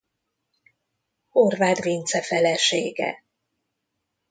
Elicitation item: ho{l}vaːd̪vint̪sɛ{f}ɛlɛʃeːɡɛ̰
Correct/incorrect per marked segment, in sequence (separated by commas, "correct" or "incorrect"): incorrect, correct